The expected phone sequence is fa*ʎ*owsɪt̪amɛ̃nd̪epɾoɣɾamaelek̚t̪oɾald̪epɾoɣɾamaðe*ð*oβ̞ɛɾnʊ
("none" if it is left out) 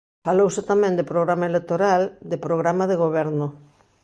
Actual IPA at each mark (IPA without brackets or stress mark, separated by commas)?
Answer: l, ɣ